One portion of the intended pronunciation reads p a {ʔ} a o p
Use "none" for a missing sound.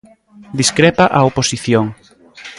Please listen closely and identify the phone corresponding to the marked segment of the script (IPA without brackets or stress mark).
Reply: ʔ